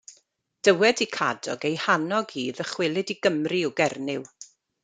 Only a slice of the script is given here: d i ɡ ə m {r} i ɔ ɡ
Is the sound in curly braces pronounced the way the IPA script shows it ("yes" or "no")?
yes